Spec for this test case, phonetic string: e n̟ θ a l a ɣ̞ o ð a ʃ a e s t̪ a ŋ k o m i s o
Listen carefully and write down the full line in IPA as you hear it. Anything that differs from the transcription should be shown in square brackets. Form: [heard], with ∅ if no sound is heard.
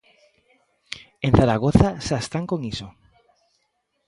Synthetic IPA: e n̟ θ a [ɾ] a ɣ̞ o [θ] a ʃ a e s t̪ a ŋ k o [ŋ] i s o